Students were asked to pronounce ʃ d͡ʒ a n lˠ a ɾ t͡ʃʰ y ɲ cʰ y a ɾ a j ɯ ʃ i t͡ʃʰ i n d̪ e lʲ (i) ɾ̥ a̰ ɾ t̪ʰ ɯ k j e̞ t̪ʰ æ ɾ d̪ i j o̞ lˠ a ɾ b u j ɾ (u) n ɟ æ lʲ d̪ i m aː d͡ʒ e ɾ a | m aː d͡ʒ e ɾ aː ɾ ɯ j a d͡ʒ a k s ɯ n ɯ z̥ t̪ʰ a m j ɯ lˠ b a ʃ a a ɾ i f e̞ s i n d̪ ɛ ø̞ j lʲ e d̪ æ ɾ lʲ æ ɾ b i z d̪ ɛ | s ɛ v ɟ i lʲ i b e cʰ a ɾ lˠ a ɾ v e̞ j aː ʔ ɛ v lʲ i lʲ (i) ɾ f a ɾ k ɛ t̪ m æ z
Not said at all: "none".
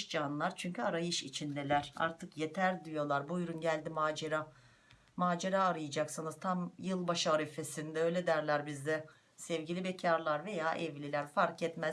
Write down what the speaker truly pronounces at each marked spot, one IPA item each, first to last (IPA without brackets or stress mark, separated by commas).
æ, u, æ